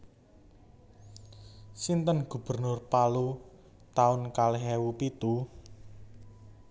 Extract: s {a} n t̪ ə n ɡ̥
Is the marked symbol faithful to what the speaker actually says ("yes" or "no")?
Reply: no